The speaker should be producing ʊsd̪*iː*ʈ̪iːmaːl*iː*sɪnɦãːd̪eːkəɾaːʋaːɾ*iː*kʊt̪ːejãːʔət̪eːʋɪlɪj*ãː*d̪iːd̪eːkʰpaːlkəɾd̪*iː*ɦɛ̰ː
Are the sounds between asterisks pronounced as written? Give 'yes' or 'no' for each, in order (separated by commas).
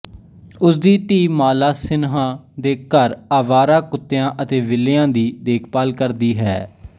yes, no, no, yes, yes